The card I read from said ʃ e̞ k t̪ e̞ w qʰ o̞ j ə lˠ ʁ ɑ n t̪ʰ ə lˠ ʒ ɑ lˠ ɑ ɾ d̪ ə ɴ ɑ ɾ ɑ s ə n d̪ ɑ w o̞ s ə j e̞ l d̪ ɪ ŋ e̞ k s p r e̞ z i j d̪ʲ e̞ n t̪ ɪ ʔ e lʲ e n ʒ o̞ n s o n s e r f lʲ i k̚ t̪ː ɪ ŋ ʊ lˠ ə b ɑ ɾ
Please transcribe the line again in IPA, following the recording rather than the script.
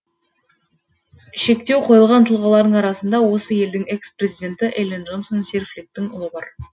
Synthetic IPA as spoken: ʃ e̞ k t̪ e̞ w qʰ o̞ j ə lˠ ʁ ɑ n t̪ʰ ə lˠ ʁ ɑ lˠ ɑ ɾ d̪ ə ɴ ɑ ɾ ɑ s ə n d̪ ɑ w o̞ s ə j e̞ l d̪ ɪ ŋ e̞ k s p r e̞ z i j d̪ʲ e̞ n t̪ ɪ ʔ e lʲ e n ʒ o̞ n s o n s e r f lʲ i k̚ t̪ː ɪ ŋ ʊ lˠ ə b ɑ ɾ